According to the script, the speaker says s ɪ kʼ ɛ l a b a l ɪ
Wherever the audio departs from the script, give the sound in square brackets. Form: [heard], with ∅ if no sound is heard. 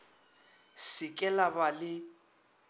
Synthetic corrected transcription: s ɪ kʼ ɛ l a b a l ɪ